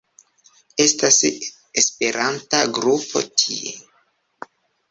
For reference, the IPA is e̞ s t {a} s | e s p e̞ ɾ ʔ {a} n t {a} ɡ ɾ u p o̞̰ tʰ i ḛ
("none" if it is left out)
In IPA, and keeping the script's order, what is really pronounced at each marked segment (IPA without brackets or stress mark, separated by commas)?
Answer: a, a, a